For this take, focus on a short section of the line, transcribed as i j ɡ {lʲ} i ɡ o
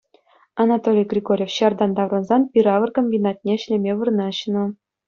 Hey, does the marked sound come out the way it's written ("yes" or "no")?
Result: no